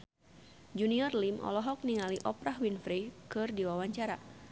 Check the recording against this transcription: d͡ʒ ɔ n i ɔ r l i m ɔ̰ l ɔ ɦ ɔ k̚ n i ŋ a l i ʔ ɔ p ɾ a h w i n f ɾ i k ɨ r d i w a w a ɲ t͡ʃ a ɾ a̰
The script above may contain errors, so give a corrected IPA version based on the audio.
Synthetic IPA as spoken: d͡ʒ u n i ɔ r l i m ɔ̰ l ɔ ɦ ɔ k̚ n i ŋ a l i ʔ ɔ p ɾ a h w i n f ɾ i k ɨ r d i w a w a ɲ t͡ʃ a ɾ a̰